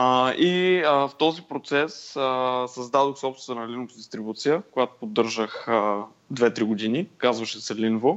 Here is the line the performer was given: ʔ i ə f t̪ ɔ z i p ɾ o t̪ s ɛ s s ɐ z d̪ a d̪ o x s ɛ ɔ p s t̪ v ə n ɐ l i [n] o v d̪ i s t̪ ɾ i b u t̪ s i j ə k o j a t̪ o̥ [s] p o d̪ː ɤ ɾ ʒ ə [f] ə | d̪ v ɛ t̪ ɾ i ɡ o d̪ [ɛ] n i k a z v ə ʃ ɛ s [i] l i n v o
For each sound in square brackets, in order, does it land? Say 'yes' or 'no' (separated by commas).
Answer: yes, no, no, no, no